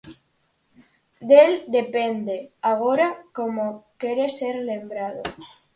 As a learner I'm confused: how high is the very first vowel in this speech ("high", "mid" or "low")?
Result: mid